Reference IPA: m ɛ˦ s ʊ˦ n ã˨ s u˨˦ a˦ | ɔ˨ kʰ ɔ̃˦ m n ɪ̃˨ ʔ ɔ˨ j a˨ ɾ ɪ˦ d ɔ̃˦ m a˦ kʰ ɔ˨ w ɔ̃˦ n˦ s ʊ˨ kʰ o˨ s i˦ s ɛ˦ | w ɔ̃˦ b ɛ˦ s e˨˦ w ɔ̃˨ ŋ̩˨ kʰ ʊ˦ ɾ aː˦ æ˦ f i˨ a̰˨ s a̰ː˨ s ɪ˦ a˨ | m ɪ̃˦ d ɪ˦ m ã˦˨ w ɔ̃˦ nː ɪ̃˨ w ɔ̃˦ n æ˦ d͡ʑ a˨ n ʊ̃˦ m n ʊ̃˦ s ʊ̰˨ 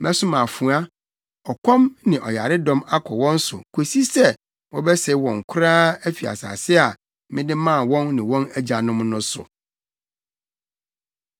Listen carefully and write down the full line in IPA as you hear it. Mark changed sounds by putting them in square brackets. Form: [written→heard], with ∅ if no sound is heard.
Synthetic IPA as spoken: m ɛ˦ s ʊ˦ [n→m] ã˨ [s→f] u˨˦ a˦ | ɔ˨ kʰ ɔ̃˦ m n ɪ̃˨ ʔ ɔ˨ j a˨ ɾ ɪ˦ d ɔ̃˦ m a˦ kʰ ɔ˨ w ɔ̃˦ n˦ s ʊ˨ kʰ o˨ s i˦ s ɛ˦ | w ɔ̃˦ b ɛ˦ s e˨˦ w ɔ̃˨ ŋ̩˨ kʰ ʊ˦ ɾ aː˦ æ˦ f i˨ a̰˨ s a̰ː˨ s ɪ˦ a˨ | m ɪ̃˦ d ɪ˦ m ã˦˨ w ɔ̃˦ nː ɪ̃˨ w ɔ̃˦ n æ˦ d͡ʑ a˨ n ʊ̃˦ m n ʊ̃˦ s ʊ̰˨

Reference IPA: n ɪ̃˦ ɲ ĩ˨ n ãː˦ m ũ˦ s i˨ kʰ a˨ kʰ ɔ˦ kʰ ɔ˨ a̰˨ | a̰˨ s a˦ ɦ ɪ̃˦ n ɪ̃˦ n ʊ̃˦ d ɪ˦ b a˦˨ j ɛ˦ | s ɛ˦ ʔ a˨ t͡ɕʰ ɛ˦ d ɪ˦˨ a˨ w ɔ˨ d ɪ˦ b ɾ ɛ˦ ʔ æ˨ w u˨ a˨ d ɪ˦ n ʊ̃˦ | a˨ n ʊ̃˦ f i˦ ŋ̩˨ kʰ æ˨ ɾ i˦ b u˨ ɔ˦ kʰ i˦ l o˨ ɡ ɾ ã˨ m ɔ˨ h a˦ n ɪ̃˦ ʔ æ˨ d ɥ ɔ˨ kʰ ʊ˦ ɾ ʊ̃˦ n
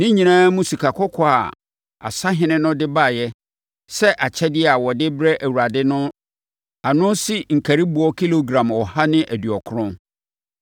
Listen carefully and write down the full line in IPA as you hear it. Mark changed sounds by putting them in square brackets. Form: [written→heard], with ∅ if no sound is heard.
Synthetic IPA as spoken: n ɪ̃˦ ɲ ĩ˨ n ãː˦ m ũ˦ s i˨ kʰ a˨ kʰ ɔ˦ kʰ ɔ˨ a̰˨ | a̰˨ s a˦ ɦ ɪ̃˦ n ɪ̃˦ n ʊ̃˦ d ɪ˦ b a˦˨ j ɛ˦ | s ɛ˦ ʔ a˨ t͡ɕʰ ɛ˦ d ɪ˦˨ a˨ w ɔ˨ d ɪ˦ b ɾ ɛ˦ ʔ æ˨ w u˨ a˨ d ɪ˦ n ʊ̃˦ | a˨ n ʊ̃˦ [f→s] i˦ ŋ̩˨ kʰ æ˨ ɾ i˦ b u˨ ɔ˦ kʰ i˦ l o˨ ɡ ɾ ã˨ m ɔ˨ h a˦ n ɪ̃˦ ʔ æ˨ d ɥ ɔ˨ kʰ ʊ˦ ɾ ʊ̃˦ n

